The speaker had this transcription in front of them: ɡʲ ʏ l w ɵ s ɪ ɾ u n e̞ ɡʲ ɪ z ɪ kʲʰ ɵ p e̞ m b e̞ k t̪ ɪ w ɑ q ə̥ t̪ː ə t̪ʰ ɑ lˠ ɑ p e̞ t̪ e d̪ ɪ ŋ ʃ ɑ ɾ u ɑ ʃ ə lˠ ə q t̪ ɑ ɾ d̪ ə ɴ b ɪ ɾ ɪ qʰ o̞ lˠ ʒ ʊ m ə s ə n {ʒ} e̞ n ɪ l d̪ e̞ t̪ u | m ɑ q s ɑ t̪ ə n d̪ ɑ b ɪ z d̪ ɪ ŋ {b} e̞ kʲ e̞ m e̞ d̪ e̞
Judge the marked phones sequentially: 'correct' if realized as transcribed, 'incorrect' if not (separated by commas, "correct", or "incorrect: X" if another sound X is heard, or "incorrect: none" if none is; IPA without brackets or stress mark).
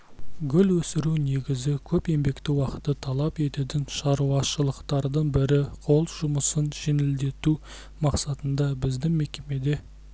correct, incorrect: m